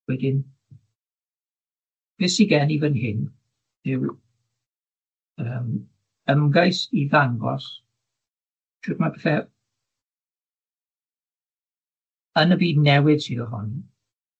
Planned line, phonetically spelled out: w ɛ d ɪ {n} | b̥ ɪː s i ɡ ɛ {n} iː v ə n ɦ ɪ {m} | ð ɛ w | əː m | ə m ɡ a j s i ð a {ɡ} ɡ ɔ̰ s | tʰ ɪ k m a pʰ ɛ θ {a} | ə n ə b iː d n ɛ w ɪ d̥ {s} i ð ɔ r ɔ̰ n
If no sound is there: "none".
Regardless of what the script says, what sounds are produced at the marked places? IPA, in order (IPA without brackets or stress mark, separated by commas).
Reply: n, n, n, ŋ, ɛ, s